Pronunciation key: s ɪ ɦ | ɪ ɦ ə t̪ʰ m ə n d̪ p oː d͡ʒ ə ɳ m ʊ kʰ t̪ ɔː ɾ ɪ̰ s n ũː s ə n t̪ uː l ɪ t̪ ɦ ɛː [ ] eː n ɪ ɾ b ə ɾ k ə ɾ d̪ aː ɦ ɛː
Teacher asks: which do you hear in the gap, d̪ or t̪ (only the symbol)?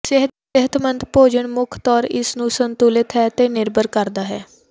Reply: t̪